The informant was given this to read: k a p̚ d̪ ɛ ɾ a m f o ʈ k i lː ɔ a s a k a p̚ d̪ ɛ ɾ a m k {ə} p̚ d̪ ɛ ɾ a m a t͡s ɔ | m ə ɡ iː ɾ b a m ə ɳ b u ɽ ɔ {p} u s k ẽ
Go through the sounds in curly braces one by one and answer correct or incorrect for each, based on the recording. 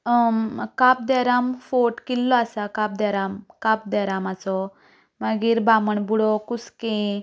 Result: incorrect: a, incorrect: k

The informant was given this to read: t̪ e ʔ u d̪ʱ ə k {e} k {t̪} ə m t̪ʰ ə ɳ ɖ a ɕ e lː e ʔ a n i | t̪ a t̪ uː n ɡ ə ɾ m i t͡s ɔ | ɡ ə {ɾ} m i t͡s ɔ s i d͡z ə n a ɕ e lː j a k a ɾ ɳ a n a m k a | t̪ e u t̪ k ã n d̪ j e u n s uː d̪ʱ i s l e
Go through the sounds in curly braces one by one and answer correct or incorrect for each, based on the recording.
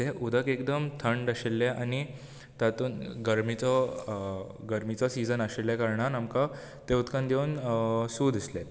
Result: correct, incorrect: d̪, correct

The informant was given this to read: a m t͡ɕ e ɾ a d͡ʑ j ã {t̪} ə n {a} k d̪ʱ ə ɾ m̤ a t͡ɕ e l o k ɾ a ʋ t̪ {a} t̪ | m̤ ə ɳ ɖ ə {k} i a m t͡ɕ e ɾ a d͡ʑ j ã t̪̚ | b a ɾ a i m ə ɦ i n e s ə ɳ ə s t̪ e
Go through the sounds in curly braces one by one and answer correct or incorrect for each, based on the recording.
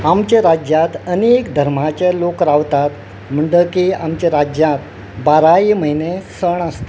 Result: correct, incorrect: e, correct, correct

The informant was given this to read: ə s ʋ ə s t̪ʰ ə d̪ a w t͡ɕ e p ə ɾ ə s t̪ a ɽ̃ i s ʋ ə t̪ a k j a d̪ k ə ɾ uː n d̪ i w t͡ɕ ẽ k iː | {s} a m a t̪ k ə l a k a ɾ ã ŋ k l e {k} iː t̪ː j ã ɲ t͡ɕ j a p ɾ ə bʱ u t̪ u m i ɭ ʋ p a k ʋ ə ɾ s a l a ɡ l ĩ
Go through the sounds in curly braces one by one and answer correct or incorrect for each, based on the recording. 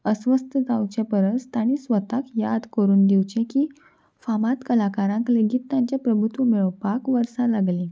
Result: incorrect: f, incorrect: ɡ

